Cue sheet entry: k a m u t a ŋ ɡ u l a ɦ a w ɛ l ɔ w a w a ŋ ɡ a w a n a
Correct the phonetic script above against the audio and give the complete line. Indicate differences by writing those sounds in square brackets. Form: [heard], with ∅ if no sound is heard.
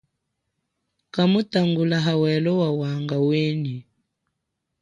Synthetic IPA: k a m u t a ŋ ɡ u l a ɦ a w ɛ l ɔ w a w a ŋ ɡ a w [e] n [i]